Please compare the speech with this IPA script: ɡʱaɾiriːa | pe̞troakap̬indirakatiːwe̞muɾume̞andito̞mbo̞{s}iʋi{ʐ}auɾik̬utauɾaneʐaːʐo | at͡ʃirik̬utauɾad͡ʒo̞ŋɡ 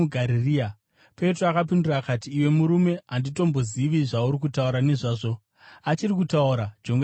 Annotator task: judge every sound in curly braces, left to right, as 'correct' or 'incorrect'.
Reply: incorrect, correct

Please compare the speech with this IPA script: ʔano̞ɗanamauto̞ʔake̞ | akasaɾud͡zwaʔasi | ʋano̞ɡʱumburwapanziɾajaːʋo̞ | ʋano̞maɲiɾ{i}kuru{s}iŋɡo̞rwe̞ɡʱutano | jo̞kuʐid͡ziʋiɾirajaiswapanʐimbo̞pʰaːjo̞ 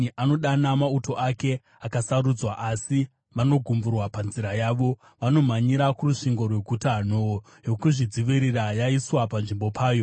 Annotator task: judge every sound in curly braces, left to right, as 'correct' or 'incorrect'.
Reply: incorrect, incorrect

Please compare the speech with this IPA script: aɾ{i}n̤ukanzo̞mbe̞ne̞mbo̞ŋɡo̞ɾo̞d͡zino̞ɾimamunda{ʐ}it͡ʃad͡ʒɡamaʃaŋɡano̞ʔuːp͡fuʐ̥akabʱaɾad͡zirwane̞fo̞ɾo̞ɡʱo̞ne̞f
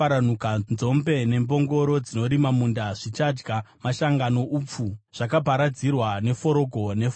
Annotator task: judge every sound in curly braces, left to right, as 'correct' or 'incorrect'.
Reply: incorrect, correct

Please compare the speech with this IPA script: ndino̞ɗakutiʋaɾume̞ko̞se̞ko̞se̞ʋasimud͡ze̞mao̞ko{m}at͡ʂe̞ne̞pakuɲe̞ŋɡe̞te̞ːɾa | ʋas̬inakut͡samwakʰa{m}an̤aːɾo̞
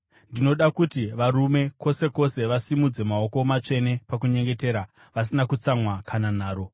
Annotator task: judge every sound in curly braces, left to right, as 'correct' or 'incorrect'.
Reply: correct, incorrect

